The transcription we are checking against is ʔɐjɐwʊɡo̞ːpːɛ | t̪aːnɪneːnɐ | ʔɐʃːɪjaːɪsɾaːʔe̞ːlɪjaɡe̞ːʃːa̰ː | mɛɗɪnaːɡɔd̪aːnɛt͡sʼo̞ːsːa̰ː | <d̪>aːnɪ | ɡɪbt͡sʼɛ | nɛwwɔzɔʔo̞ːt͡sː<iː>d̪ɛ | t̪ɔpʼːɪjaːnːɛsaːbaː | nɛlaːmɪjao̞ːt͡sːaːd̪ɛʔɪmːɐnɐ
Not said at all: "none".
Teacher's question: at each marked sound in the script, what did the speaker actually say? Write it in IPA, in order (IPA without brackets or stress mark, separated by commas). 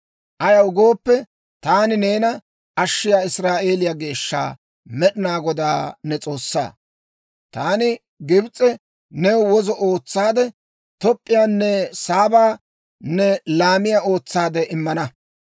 t̪, aː